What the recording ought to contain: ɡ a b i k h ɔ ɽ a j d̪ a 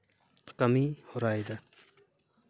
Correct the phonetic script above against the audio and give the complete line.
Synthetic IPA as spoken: k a m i h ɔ ɾ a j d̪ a